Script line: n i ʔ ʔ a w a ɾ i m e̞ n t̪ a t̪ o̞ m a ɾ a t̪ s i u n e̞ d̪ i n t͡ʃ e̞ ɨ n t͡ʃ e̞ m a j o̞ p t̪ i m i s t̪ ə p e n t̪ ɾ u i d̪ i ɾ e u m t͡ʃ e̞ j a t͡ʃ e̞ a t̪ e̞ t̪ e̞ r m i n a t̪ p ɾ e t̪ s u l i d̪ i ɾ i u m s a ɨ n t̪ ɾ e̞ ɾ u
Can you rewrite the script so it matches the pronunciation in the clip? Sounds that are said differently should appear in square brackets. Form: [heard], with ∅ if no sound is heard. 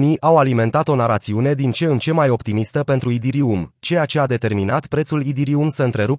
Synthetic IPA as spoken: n i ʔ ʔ a w a [l] i m e̞ n t̪ a t̪ o̞ [n] a ɾ a t̪ s i u n e̞ d̪ i n t͡ʃ e̞ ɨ n t͡ʃ e̞ m a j o̞ p t̪ i m i s t̪ ə p e n t̪ ɾ u i d̪ i ɾ [i] u m t͡ʃ e̞ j a t͡ʃ e̞ a [d̪] e̞ t̪ e̞ r m i n a t̪ p ɾ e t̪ s u l i d̪ i ɾ i u m s [ə] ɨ n t̪ ɾ e̞ ɾ u